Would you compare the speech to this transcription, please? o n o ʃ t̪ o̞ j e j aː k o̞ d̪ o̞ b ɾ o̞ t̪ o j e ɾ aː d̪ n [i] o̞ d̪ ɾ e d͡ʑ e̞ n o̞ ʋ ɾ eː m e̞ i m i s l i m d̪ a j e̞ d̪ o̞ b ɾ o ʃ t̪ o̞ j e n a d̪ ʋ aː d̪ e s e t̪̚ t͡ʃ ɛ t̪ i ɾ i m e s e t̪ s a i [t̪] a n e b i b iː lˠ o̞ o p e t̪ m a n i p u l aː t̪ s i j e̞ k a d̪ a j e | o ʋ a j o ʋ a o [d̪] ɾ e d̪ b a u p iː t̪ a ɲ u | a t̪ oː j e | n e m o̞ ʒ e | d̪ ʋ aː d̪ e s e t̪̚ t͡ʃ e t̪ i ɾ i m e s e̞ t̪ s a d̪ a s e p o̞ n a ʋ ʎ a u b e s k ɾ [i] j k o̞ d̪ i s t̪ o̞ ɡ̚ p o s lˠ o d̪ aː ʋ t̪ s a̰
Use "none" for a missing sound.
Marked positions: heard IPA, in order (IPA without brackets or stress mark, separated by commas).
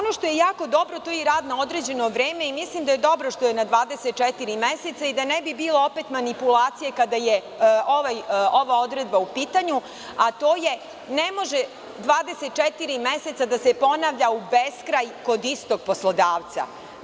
a, d̪, d̪, a